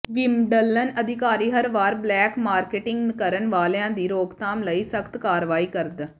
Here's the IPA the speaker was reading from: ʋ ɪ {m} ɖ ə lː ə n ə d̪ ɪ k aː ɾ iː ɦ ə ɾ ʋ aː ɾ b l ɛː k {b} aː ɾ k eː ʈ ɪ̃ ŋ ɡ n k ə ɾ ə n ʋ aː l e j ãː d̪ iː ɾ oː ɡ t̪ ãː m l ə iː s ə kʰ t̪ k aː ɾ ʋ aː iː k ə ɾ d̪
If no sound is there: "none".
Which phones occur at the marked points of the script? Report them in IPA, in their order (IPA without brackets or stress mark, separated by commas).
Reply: m, m